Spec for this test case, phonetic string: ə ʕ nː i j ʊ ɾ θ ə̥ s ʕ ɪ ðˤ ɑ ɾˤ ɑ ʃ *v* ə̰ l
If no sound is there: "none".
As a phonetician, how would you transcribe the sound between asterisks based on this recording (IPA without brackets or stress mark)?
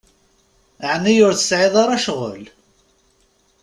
ʁ